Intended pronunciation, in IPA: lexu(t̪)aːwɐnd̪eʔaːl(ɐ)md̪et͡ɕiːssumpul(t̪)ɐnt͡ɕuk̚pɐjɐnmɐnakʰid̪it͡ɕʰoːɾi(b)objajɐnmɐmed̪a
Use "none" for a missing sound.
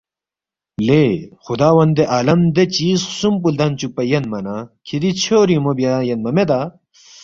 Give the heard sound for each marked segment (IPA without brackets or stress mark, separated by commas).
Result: d̪, ɐ, d̪, m